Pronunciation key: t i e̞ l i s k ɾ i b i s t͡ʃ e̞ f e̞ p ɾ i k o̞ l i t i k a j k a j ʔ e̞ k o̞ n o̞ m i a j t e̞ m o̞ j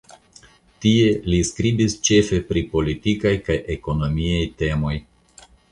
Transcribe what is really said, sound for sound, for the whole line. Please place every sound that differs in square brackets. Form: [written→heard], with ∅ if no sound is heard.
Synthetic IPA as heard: t i e̞ l i s k ɾ i b i s t͡ʃ e̞ f e̞ p ɾ i [k→p] o̞ l i t i k a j k a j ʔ e̞ k o̞ n o̞ m i a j t e̞ m o̞ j